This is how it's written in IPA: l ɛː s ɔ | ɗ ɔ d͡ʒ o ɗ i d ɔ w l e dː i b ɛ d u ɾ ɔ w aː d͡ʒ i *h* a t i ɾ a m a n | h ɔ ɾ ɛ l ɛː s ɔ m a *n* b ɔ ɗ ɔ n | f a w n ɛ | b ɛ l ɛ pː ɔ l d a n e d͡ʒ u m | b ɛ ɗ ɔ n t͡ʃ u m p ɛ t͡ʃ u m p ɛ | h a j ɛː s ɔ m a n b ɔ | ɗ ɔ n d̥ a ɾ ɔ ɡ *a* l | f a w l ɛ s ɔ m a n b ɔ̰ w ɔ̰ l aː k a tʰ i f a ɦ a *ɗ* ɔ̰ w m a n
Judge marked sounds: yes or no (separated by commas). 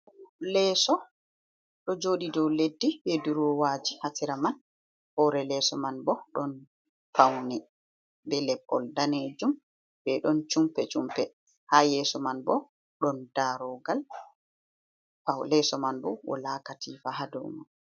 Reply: yes, yes, yes, no